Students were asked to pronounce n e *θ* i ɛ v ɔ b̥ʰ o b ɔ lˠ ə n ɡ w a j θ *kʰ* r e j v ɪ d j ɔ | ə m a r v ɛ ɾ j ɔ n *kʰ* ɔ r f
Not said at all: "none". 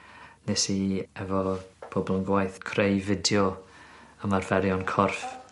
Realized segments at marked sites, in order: s, kʰ, kʰ

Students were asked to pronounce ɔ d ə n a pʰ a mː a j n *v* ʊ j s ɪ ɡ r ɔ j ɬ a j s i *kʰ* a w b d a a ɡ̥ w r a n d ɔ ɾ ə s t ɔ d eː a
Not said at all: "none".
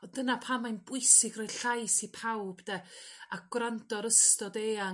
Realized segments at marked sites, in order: b, pʰ

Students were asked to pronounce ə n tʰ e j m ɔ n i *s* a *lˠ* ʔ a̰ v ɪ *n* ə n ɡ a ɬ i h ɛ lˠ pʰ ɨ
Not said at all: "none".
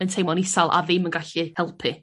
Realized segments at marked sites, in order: s, lˠ, m

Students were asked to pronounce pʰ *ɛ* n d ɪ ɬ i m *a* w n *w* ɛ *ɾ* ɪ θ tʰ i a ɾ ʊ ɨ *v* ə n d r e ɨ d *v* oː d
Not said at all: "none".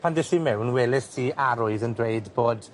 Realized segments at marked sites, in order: a, ɛ, w, l, ð, b

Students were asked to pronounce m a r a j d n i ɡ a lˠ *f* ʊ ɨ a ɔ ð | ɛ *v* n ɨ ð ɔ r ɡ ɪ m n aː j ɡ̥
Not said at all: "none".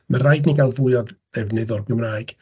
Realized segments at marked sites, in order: v, v

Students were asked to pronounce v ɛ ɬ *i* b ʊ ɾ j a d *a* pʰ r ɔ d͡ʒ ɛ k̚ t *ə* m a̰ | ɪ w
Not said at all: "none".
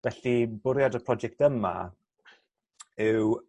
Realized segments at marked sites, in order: i, ə, ə

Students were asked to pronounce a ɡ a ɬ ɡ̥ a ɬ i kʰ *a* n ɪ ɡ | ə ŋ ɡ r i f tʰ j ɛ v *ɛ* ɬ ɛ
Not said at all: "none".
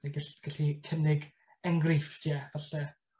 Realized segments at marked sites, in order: ə, a

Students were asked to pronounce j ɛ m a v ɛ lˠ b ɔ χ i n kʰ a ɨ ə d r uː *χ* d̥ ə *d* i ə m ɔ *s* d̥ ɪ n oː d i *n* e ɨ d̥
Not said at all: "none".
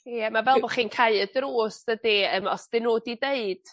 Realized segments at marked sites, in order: s, d, s, d

